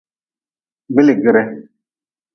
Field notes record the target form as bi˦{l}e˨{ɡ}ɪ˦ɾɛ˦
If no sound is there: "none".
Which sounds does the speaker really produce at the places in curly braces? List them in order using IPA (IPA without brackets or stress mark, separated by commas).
l, ɡ